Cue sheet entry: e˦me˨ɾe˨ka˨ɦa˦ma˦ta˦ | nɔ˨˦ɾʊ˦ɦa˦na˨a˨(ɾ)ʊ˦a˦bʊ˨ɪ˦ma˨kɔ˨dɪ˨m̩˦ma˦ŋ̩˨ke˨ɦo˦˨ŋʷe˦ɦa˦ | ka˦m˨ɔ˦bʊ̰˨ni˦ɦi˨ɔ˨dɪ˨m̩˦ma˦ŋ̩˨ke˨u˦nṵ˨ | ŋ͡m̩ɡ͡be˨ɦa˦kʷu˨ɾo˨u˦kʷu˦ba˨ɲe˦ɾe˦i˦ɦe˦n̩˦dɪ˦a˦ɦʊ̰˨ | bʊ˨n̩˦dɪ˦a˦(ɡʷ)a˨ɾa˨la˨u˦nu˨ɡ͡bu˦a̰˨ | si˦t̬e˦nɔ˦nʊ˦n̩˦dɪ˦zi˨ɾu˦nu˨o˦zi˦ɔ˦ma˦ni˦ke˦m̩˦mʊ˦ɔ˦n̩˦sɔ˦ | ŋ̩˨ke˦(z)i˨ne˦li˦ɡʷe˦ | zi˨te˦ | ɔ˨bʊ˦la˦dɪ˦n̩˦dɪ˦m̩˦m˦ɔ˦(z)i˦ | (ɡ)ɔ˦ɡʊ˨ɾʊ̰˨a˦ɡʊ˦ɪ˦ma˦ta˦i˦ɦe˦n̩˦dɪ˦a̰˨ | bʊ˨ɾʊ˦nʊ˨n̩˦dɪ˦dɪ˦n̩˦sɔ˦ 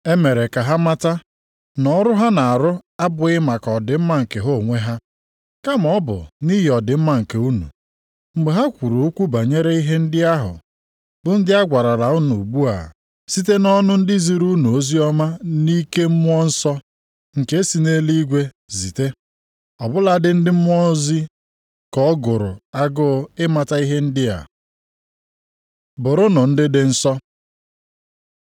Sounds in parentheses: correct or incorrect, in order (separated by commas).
correct, correct, incorrect, correct, incorrect